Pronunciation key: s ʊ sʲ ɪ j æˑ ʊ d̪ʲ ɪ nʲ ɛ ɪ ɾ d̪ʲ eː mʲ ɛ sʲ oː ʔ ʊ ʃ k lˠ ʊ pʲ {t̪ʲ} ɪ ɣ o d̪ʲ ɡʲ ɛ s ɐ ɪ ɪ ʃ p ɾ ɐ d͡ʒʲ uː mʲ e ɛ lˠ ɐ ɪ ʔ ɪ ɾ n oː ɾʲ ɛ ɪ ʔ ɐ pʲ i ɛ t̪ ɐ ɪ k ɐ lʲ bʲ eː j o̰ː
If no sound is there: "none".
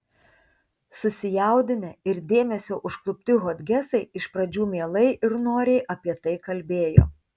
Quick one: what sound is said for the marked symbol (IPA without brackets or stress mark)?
t̪ʲ